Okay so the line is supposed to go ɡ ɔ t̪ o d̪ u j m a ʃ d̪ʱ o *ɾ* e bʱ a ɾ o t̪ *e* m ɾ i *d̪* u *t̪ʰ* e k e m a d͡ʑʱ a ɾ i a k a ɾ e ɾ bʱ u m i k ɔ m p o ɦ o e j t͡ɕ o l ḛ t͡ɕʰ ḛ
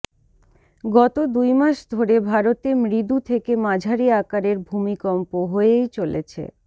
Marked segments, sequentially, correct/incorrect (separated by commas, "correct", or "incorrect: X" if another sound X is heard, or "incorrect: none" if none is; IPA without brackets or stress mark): correct, correct, correct, correct